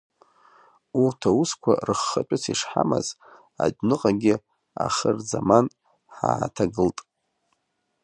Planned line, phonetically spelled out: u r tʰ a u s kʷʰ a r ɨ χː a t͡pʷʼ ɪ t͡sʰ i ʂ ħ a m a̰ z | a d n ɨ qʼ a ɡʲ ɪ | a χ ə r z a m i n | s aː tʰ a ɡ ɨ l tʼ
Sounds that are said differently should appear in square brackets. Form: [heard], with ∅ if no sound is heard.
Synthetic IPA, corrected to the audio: u r tʰ a u s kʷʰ a r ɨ χː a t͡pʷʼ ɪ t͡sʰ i ʂ ħ a m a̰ z | a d n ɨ qʼ a ɡʲ ɪ | a χ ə r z a m [a] n | [ħ] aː tʰ a ɡ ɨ l tʼ

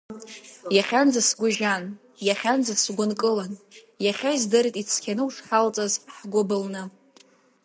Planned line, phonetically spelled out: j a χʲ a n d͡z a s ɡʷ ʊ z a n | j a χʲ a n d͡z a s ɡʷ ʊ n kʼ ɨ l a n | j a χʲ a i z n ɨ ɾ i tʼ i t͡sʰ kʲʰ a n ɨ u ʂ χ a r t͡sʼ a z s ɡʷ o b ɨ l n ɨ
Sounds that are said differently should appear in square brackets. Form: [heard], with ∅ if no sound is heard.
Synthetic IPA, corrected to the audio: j a χʲ a n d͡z a s ɡʷ ʊ [ʒ] a n | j a χʲ a n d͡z a s ɡʷ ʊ n kʼ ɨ l a n | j a χʲ a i z [d] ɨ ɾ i tʼ i t͡sʰ kʲʰ a n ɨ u ʂ [ħ] a [l] t͡sʼ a z [ħ] ɡʷ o b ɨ l n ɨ

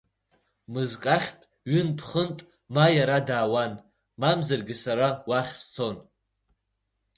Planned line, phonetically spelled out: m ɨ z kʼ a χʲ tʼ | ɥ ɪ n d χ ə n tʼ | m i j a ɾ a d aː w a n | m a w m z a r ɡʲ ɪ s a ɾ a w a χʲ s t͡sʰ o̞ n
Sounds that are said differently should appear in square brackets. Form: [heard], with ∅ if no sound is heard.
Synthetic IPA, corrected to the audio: m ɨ z kʼ a χʲ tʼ | ɥ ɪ n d χ ə n tʼ | m [a] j a ɾ a d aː w a n | m a [∅] m z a r ɡʲ ɪ s a ɾ a w a χʲ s t͡sʰ o̞ n

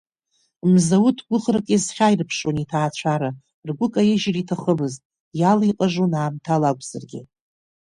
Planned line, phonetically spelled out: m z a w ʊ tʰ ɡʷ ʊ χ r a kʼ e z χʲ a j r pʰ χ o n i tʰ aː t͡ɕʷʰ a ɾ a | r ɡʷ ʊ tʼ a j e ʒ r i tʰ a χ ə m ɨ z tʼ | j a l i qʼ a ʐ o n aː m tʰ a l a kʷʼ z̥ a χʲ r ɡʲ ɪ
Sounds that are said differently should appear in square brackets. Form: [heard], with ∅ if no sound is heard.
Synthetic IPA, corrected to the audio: m z a w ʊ tʰ ɡʷ ʊ χ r a kʼ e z χʲ a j r pʰ [ʂ] o n i tʰ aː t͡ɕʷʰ a ɾ a | r ɡʷ ʊ [kʼ] a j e ʒ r i tʰ a χ ə m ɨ z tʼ | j a l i qʼ a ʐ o n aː m tʰ a l a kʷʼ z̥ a [∅] r ɡʲ ɪ

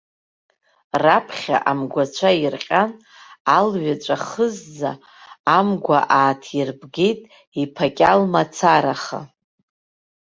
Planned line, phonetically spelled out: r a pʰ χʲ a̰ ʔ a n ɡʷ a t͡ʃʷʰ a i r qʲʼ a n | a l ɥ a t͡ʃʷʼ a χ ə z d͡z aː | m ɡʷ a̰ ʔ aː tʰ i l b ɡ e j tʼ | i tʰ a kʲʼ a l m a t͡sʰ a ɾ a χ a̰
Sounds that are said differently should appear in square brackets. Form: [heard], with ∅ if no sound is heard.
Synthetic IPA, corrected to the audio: r a pʰ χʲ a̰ ʔ a [m] ɡʷ a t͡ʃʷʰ a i r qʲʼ a n | a l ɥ a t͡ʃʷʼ a χ ə z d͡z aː | m ɡʷ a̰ ʔ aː tʰ i [r] b ɡ e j tʼ | i [pʰ] a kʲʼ a l m a t͡sʰ a ɾ a χ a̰

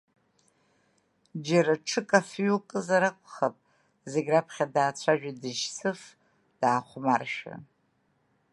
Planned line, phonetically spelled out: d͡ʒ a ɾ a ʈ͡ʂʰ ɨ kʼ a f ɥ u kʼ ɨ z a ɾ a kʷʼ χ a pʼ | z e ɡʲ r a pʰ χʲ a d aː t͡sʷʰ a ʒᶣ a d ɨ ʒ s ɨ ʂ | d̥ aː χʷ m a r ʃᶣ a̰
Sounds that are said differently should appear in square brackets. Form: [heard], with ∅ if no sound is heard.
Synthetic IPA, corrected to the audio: d͡ʒ a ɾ a ʈ͡ʂʰ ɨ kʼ a f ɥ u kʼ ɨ z a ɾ a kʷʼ χ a pʼ | z e ɡʲ r a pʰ χʲ a d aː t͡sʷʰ a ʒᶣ a d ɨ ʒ s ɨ [f] | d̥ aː χʷ m a r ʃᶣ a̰

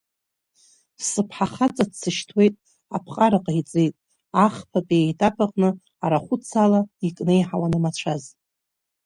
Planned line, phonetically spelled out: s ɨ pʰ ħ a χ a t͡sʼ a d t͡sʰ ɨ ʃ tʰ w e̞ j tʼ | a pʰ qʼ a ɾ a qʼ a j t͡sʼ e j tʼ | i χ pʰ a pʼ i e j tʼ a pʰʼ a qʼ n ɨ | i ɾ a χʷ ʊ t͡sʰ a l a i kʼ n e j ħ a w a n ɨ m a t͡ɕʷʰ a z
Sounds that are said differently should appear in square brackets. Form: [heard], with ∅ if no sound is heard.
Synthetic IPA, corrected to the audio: s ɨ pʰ ħ a χ a t͡sʼ a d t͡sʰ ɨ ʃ tʰ w e̞ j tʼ | a pʰ qʼ a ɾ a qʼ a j t͡sʼ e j tʼ | [a] χ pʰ a pʼ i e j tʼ a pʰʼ a qʼ n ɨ | [a] ɾ a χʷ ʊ t͡sʰ a l a i kʼ n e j ħ a w a n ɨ m a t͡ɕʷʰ a z

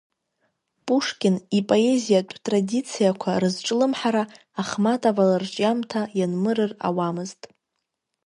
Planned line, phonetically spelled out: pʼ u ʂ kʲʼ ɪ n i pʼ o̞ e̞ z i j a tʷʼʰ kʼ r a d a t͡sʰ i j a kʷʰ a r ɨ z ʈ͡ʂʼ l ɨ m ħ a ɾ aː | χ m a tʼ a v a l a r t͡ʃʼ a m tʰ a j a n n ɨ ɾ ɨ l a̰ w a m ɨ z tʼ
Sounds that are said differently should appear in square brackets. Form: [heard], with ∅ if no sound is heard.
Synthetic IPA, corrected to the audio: pʼ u ʂ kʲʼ ɪ n i pʼ o̞ e̞ z i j a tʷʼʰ [tʼ] r a d [i] t͡sʰ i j a kʷʰ a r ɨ z ʈ͡ʂʼ l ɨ m ħ a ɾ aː | χ m a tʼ a v a l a r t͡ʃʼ a m tʰ a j a n [m] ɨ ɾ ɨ [r] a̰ w a m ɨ z tʼ

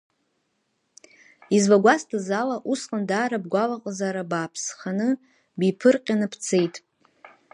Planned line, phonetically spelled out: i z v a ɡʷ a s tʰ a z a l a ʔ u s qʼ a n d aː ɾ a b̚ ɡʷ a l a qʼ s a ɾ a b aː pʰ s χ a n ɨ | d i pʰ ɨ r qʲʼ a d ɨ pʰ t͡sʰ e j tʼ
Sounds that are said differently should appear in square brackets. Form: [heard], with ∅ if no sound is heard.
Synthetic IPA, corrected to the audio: i z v a ɡʷ a s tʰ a z a l a ʔ u s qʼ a n d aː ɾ a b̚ ɡʷ a l a qʼ [z] a ɾ a b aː pʰ s χ a n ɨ | [b] i pʰ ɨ r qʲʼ a [n] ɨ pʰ t͡sʰ e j tʼ

